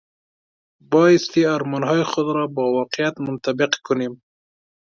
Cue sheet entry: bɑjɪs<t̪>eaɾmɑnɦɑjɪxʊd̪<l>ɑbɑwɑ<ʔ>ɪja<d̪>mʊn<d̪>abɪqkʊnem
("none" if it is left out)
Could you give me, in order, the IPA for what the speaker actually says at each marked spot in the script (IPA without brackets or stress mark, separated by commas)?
t̪, ɾ, q, t̪, t̪